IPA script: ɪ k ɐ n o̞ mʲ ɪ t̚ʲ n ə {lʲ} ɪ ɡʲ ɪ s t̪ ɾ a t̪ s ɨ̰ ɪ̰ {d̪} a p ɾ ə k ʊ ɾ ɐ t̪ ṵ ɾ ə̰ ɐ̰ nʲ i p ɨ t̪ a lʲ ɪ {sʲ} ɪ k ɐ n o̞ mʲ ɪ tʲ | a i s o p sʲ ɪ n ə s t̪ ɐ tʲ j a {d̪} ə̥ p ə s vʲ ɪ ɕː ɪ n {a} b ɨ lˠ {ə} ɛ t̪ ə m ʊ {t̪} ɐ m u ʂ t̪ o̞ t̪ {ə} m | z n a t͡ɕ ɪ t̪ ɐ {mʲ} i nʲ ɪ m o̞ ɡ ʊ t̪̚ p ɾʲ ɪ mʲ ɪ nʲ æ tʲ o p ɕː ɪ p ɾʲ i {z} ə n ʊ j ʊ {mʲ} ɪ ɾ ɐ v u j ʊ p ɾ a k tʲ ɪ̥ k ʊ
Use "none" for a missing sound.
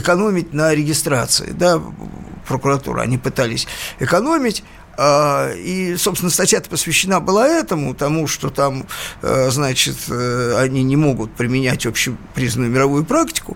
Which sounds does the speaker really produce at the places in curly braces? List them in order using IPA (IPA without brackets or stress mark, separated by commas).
ɾʲ, d̪, sʲ, t̪, a, a, t̪, a, nʲ, z, mʲ